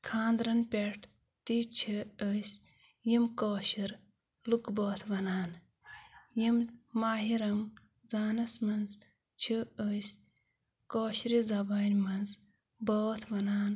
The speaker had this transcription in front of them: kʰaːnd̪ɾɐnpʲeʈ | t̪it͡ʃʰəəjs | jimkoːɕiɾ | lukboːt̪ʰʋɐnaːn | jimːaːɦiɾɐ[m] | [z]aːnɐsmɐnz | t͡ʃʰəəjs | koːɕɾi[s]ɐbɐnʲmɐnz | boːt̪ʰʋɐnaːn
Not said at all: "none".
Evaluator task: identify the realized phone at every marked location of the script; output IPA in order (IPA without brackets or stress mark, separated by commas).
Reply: m, z, z